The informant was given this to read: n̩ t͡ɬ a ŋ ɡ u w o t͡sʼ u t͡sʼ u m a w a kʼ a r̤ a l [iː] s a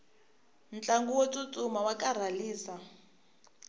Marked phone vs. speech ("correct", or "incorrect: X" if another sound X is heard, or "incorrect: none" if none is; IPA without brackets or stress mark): correct